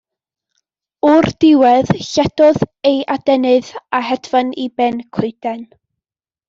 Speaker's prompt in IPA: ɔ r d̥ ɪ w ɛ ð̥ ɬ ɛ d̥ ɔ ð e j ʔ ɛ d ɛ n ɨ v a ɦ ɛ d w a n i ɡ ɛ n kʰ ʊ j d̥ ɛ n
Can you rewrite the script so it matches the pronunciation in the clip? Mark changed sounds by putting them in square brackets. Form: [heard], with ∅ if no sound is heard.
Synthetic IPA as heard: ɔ r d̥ ɪ w ɛ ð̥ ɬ ɛ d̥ ɔ ð e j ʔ [a] d ɛ n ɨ [ð] a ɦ ɛ d [v] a n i [b] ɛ n kʰ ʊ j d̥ ɛ n